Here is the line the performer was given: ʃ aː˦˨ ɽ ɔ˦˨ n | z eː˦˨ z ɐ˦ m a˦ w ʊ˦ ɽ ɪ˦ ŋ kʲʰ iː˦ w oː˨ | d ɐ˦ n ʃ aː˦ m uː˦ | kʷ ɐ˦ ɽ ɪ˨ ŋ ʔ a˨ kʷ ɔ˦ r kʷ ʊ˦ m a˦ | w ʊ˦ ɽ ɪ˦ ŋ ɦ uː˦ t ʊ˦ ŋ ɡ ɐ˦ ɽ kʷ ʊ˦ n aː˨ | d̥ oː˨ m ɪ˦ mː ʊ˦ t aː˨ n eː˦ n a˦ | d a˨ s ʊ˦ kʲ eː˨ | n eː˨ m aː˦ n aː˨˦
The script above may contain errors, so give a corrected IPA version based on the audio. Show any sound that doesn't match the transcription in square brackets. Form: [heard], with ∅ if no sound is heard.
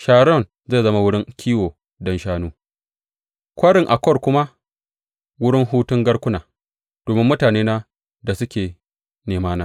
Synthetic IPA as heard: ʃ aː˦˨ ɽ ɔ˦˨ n | z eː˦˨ z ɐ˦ m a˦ w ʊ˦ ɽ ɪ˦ ŋ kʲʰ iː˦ w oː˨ | d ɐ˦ n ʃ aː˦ [n] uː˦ | kʷ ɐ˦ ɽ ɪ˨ ŋ ʔ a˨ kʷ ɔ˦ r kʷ ʊ˦ m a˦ | w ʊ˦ ɽ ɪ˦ ŋ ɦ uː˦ t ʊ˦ ŋ ɡ ɐ˦ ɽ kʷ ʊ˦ n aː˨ | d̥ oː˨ m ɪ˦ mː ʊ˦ t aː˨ n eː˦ n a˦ | d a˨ s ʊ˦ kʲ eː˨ | n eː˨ m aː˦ n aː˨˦